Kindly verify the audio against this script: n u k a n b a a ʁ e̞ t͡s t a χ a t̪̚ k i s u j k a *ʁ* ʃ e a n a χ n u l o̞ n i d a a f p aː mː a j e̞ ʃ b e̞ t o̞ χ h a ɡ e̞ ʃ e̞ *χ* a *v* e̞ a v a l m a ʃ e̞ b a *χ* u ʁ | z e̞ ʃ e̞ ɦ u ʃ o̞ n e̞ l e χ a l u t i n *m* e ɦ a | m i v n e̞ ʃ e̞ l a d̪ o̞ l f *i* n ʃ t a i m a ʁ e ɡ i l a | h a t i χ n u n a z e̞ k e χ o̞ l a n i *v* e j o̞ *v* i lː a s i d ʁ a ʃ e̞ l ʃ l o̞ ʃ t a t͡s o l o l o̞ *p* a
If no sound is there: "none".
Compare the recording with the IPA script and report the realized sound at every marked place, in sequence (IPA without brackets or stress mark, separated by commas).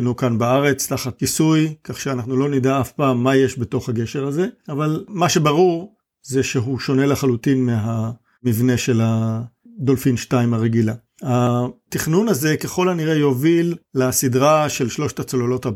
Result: χ, ʁ, z, ʁ, m, i, ʁ, v, t